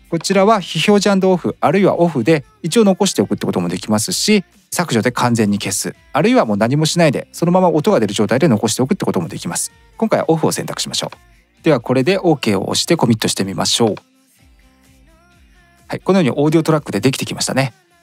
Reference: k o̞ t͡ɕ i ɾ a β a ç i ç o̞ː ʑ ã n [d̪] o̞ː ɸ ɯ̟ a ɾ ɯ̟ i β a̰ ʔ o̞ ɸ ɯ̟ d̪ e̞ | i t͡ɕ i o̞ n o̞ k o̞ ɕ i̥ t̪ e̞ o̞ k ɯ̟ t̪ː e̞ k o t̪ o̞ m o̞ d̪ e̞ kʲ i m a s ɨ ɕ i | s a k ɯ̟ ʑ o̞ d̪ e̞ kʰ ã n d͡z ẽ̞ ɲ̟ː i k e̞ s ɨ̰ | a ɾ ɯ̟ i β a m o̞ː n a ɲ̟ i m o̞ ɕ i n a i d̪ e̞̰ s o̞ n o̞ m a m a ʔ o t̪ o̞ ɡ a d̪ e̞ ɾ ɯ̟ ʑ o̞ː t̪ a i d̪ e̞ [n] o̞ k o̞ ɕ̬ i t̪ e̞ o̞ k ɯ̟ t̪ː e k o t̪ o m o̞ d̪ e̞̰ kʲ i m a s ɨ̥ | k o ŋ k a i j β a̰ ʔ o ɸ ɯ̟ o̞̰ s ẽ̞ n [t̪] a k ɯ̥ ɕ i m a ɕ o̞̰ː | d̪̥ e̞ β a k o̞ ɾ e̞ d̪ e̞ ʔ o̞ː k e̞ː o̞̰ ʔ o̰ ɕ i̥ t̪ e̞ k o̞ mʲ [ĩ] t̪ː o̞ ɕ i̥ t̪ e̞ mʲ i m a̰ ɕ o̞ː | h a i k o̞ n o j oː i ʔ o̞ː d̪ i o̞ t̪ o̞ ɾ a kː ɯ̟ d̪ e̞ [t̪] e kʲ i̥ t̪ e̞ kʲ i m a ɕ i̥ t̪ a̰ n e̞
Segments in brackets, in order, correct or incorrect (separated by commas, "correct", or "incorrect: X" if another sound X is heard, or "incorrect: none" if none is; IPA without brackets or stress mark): correct, correct, correct, incorrect: i, incorrect: d̪